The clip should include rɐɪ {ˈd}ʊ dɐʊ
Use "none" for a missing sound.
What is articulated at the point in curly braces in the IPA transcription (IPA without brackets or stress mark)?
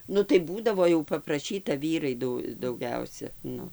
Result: d